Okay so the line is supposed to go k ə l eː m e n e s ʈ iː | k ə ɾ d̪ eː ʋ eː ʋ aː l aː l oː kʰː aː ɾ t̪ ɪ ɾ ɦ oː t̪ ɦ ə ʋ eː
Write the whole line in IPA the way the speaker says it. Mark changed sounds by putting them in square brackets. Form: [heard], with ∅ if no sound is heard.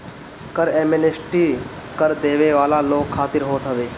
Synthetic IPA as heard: k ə [ɾ] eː m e n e s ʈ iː | k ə ɾ d̪ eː ʋ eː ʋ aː l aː l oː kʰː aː [∅] t̪ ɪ ɾ ɦ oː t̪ ɦ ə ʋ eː

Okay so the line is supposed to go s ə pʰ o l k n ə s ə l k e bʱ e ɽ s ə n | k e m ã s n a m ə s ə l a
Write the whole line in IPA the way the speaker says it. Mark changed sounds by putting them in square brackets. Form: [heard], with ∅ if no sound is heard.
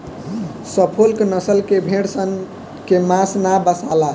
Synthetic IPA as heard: s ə pʰ o l k n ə s ə l k e bʱ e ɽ s ə n | k e m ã s n a [b] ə s [a] l a

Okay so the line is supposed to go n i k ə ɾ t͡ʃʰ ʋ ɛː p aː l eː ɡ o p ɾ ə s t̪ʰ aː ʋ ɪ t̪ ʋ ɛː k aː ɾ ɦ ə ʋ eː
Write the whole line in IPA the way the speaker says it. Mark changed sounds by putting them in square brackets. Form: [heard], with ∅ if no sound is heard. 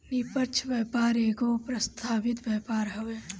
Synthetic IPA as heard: n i [p] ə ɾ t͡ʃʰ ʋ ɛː p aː [ɾ] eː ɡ o p ɾ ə s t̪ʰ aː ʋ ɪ t̪ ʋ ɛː [p] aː ɾ ɦ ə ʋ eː

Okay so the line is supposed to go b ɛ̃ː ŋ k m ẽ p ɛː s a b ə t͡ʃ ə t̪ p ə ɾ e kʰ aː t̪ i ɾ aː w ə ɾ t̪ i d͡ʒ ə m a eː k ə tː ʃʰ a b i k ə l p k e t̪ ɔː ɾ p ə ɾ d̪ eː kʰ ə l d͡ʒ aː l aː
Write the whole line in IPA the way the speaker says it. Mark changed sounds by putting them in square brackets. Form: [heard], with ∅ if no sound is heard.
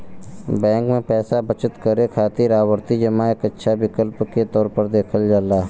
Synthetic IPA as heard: b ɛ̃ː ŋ k m ẽ p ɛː s a b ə t͡ʃ ə t̪ [k] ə ɾ e kʰ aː t̪ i ɾ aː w ə ɾ t̪ i d͡ʒ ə m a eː k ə tː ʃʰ a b [ɪ] k ə l p k e t̪ ɔː ɾ p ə ɾ d̪ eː kʰ ə l d͡ʒ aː l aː

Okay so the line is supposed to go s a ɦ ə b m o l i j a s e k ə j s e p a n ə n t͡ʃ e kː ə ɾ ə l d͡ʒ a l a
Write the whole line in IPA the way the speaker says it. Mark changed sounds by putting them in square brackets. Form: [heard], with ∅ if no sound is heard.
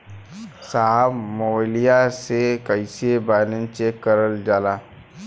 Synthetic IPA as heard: s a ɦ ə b m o l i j a s e k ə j s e [b] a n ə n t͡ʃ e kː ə ɾ ə l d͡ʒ a l a

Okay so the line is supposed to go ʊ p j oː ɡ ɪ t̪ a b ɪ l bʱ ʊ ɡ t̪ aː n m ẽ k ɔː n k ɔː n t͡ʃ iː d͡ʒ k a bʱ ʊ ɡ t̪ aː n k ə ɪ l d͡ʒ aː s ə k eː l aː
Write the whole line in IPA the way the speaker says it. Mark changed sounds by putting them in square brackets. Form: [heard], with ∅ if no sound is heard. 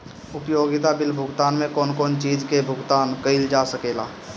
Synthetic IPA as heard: ʊ p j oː ɡ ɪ t̪ a b ɪ l bʱ ʊ ɡ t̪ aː n m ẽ k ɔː n k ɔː n t͡ʃ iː d͡ʒ k [e] bʱ ʊ ɡ t̪ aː n k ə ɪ l d͡ʒ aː s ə k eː l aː

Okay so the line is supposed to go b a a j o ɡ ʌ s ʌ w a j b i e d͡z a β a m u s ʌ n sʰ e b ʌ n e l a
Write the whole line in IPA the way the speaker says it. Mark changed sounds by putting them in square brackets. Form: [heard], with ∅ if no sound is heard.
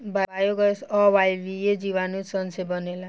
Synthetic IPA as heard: b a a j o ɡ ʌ s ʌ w a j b i e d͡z [i] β a [n] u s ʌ n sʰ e b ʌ n e l a

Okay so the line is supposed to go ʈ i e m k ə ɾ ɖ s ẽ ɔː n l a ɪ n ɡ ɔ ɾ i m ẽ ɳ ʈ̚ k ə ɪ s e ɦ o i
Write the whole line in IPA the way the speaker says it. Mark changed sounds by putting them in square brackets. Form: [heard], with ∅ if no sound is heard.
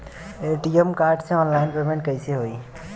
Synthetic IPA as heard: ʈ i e m k [a] ɾ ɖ s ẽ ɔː n l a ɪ n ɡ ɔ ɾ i m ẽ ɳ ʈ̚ k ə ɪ s e ɦ o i

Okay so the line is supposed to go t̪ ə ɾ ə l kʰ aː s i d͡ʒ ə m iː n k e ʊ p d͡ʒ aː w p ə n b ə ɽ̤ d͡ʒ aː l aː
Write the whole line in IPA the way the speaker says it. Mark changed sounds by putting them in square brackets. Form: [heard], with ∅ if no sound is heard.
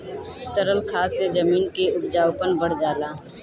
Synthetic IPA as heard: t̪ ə ɾ ə l kʰ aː s [e] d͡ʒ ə m iː n k e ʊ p d͡ʒ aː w p ə n b ə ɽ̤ d͡ʒ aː l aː

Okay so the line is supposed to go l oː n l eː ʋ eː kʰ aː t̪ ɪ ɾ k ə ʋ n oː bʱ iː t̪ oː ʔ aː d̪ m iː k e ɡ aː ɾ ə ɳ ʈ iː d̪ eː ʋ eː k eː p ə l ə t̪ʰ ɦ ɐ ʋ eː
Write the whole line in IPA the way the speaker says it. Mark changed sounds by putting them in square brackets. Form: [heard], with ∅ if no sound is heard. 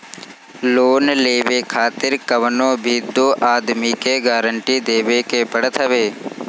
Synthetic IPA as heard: l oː n l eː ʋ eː kʰ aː t̪ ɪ ɾ k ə ʋ n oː bʱ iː [d̪] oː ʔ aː d̪ m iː k e ɡ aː ɾ ə ɳ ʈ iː d̪ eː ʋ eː k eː p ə [ɽ] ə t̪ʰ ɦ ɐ ʋ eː

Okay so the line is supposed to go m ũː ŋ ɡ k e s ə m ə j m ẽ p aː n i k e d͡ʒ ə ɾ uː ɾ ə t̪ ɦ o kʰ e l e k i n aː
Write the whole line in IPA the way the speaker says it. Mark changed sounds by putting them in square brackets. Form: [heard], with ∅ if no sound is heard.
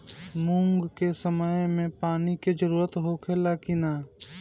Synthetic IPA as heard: m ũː ŋ ɡ k e s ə m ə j m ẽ p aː n i k e d͡ʒ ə ɾ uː ɾ ə t̪ ɦ o kʰ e l [a] k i n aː

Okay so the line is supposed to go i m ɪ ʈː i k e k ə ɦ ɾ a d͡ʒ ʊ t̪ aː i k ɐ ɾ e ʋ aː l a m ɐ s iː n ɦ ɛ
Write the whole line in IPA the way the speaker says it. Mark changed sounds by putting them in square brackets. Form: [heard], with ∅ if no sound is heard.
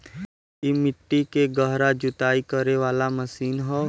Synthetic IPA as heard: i m ɪ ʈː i k e [ɡ] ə ɦ ɾ a d͡ʒ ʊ t̪ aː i k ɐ ɾ e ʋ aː l a m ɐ s iː n ɦ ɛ

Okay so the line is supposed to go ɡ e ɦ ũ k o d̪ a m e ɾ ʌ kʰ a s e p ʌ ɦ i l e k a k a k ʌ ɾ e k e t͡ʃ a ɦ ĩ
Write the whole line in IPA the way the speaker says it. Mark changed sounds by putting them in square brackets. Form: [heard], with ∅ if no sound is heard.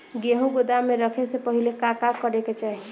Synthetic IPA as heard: ɡ e ɦ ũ [ɡ] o d̪ a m e ɾ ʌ kʰ [e] s e p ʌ ɦ i l e k a k a k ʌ ɾ e k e t͡ʃ a ɦ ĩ

